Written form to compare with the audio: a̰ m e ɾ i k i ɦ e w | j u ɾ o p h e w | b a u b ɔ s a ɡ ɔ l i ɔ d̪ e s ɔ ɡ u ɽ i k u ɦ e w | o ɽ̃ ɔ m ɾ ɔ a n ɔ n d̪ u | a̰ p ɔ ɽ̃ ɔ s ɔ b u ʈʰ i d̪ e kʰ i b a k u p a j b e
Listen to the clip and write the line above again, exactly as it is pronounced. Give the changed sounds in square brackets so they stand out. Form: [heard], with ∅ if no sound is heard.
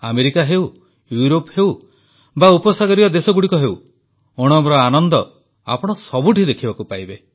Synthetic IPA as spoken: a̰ m e ɾ i k [a] ɦ e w | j u ɾ o p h e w | b a u [p] ɔ s a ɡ ɔ [ɾ] i ɔ d̪ e s ɔ ɡ u ɽ i k [ɔ] ɦ e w | o ɽ̃ ɔ m ɾ ɔ a n ɔ n d̪ [ɔ] | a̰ p ɔ ɽ̃ ɔ s ɔ b u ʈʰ i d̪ e kʰ i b a k u p a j b e

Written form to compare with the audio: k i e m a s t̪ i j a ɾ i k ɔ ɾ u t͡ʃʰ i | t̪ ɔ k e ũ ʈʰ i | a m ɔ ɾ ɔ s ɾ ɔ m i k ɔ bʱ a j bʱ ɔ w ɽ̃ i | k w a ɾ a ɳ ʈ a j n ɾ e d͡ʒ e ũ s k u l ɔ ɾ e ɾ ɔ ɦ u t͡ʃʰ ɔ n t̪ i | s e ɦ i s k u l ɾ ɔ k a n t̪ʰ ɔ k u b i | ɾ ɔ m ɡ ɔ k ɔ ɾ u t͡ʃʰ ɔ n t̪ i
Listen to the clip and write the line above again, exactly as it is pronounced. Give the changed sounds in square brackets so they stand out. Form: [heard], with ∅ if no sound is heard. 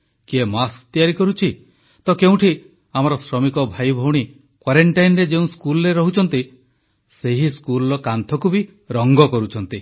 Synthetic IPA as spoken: k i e m a s t̪ i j a ɾ i k ɔ ɾ u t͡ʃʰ i | t̪ ɔ k e ũ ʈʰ i | a m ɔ ɾ ɔ s ɾ ɔ m i k ɔ bʱ a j bʱ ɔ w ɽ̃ i | k w a ɾ [e] ɳ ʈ a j n ɾ e d͡ʒ e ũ s k u l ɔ ɾ e ɾ ɔ ɦ u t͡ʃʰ ɔ n t̪ i | s e ɦ i s k u l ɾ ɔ k a n t̪ʰ ɔ k u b i | ɾ ɔ [ŋ] ɡ ɔ k ɔ ɾ u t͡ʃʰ ɔ n t̪ i

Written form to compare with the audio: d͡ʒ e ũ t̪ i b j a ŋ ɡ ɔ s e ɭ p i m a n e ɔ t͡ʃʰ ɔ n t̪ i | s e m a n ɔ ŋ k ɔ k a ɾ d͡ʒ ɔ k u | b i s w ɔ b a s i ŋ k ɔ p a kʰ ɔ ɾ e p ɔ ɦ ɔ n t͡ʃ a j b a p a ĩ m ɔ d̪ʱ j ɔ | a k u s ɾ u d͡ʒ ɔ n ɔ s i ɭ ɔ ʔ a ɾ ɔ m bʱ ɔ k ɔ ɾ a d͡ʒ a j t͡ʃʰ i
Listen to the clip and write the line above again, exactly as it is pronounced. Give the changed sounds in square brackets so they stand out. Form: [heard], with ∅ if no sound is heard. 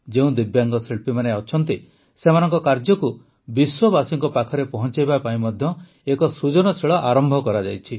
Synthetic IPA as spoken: d͡ʒ e ũ [d̪] i b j a ŋ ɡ ɔ s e ɭ p i m a n e ɔ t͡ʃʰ ɔ n t̪ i | s e m a n ɔ ŋ k ɔ k a ɾ d͡ʒ ɔ k u | b i s w ɔ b a s i ŋ k ɔ p a kʰ ɔ ɾ e p ɔ ɦ ɔ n t͡ʃ a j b a p a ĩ m ɔ d̪ʱ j ɔ | [e] k [ɔ] s ɾ u d͡ʒ ɔ n ɔ s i ɭ ɔ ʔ a ɾ ɔ m bʱ ɔ k ɔ ɾ a d͡ʒ a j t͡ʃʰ i

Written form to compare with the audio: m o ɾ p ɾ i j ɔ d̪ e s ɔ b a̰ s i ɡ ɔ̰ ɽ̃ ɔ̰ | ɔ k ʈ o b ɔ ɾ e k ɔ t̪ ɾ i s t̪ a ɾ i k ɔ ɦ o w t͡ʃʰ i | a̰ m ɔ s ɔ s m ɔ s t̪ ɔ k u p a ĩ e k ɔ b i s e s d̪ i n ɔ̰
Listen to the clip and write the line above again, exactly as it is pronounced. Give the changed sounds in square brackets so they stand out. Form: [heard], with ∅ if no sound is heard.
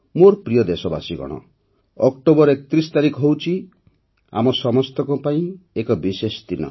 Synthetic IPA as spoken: m o ɾ p ɾ i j ɔ d̪ e s ɔ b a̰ s i ɡ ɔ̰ ɽ̃ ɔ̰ | ɔ k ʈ o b ɔ ɾ e k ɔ t̪ ɾ i s t̪ a ɾ i k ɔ ɦ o w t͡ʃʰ i | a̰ m ɔ s ɔ [∅] m ɔ s t̪ ɔ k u p a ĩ e k ɔ b i s e s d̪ i n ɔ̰

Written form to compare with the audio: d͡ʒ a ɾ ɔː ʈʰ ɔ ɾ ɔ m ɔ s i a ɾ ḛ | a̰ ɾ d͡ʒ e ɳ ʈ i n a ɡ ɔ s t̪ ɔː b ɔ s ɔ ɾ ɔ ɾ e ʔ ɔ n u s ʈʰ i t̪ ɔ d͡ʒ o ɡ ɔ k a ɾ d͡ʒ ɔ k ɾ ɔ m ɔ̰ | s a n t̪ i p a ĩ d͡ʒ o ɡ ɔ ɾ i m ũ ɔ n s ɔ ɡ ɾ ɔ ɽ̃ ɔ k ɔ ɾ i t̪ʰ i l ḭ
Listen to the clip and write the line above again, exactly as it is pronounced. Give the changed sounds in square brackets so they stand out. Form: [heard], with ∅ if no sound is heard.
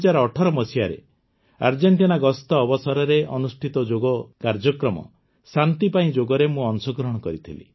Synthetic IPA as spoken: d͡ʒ a ɾ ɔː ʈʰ ɔ ɾ ɔ m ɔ s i a ɾ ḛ | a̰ ɾ d͡ʒ e ɳ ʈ i n a ɡ ɔ s t̪ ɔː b ɔ s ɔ ɾ ɔ ɾ e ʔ ɔ n u s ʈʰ i t̪ ɔ d͡ʒ o ɡ ɔ k a ɾ d͡ʒ ɔ k ɾ ɔ m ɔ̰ | s a n t̪ i p a ĩ d͡ʒ o ɡ ɔ ɾ [e] m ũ ɔ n s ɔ ɡ ɾ ɔ ɽ̃ ɔ k ɔ ɾ i t̪ʰ i l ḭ

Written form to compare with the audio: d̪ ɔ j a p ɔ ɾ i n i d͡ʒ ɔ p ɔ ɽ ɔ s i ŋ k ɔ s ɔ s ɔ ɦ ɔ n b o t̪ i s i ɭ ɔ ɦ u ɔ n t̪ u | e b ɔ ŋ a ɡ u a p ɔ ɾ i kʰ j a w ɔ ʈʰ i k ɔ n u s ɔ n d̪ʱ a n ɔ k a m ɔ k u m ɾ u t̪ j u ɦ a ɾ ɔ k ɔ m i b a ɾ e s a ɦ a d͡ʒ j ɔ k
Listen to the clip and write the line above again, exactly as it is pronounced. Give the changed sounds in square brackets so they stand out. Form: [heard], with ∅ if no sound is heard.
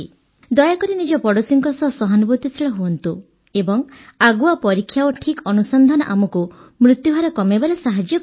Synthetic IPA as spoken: d̪ ɔ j a [k] ɔ ɾ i n i d͡ʒ ɔ p ɔ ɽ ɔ s i ŋ k ɔ s ɔ s ɔ ɦ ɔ n b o t̪ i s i ɭ ɔ ɦ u ɔ n t̪ u | e b ɔ ŋ a ɡ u a p ɔ ɾ i kʰ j a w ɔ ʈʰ i k ɔ n u s ɔ n d̪ʱ a n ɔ [ʔ] a m ɔ k u m ɾ u t̪ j u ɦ a ɾ ɔ k ɔ m [e] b a ɾ e s a ɦ a d͡ʒ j ɔ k

